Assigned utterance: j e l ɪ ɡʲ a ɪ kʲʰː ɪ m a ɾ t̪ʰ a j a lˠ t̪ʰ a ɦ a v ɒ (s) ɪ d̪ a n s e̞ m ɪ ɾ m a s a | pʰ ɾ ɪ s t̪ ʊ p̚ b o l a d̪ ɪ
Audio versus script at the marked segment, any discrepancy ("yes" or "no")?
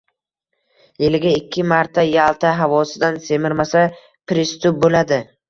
no